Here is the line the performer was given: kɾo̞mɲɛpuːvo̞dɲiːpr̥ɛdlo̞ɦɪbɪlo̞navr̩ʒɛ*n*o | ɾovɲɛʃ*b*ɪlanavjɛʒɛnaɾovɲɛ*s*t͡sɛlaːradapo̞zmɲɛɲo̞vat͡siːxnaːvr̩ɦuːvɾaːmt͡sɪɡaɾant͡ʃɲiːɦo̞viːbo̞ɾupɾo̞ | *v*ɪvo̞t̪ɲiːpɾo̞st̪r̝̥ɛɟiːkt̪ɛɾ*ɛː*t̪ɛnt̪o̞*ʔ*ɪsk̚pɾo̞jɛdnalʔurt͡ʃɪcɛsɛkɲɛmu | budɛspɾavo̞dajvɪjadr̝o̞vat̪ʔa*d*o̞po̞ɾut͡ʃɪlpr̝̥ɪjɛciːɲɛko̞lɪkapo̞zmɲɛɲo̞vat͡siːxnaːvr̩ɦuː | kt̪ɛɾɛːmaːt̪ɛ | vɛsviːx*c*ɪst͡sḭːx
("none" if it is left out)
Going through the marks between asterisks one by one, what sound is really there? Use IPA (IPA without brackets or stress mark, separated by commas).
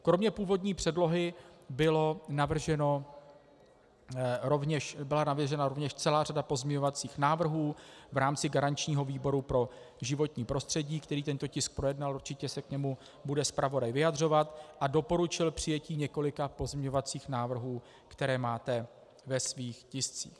n, b, ʃ, ʒ, iː, c, d, c